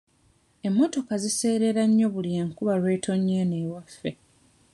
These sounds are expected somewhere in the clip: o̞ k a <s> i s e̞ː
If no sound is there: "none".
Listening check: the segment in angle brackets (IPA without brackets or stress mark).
z